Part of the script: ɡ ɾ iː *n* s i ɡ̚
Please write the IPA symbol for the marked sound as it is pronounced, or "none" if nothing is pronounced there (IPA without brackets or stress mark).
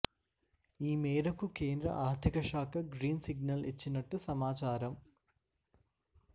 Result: n